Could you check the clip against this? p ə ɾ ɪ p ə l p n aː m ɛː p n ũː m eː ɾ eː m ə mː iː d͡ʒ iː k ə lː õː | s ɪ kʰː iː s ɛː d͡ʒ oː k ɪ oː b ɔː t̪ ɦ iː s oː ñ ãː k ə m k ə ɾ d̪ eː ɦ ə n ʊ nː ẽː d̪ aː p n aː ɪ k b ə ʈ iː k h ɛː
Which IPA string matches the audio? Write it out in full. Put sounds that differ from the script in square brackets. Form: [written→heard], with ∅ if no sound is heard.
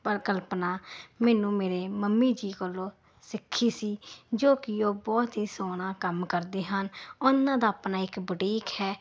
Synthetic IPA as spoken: p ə ɾ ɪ [p→k] ə l p n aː m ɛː [p→∅] n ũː m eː ɾ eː m ə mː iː d͡ʒ iː k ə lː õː | s ɪ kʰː iː s [ɛː→iː] d͡ʒ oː k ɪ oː b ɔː t̪ ɦ iː s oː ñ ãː k ə m k ə ɾ d̪ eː ɦ ə n ʊ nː [ẽː→ãː] d̪ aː p n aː ɪ k b ə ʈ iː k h ɛː